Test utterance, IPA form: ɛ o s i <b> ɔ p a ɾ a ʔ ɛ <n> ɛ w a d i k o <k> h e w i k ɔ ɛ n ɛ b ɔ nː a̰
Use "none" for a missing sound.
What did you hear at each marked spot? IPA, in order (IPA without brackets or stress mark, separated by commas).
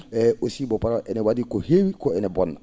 b, n, none